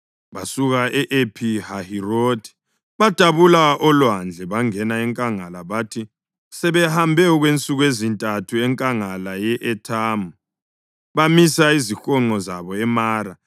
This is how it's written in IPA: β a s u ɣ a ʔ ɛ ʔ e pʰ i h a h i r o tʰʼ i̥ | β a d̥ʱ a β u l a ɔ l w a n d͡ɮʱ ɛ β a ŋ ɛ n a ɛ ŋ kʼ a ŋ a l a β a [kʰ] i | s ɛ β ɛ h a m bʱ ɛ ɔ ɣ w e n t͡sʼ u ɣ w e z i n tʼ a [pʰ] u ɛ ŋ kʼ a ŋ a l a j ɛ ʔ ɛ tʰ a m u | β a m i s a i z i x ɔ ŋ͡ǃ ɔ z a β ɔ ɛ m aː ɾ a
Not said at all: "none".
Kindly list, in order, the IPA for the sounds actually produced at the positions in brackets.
tʰ, tʰ

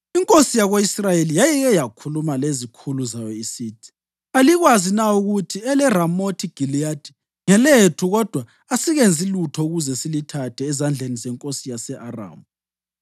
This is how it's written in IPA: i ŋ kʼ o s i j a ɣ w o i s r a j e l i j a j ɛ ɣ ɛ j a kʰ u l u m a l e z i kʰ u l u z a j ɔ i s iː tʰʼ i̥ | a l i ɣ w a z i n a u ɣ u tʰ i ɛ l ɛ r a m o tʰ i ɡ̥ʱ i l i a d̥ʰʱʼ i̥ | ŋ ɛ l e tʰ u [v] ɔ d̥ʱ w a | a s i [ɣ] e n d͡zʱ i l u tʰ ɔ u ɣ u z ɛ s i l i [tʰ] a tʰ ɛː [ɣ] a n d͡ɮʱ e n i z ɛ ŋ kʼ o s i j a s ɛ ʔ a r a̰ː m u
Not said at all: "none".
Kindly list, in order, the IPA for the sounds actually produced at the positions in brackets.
ɣ, ɣ, tʰ, z

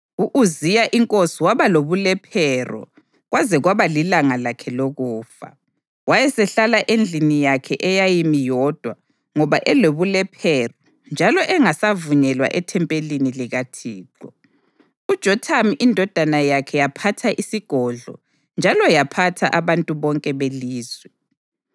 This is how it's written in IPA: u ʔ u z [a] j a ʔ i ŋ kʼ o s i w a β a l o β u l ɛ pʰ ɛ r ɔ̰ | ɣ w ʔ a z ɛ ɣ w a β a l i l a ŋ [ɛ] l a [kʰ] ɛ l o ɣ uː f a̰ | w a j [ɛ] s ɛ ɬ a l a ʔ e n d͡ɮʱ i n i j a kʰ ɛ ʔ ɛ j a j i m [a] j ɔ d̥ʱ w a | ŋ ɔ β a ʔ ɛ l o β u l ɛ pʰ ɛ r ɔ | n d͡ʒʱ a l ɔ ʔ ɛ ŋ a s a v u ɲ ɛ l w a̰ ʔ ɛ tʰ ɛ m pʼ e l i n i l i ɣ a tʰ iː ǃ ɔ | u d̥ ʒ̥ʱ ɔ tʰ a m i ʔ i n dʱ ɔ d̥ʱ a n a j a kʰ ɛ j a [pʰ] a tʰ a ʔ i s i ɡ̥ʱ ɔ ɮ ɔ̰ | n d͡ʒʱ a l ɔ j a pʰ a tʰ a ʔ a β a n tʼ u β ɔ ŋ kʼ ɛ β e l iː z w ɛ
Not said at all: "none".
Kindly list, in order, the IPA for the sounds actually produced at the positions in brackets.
i, a, kʰ, ɛ, i, pʰ

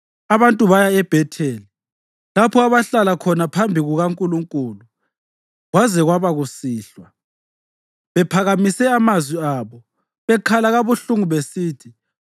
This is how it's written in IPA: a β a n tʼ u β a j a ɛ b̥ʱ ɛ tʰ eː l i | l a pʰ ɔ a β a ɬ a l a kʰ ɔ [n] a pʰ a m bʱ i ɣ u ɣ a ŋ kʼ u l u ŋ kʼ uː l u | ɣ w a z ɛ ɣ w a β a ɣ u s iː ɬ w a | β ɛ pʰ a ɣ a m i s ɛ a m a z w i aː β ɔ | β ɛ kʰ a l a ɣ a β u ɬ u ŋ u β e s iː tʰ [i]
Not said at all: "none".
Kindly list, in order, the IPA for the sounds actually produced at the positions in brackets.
n, i

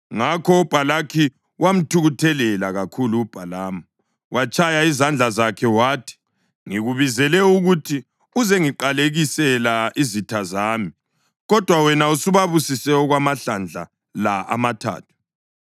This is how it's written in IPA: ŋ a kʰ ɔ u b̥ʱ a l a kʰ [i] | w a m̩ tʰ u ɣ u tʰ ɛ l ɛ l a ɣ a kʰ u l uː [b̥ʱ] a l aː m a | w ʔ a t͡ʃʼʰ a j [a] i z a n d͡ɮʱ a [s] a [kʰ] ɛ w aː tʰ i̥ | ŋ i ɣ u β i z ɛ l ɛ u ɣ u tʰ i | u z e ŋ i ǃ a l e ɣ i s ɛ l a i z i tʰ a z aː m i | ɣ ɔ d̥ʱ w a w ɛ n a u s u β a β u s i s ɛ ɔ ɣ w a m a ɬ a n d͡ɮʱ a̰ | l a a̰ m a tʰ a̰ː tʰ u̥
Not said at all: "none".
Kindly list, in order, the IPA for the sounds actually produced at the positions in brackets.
i, b̥ʱ, a, z, kʰ

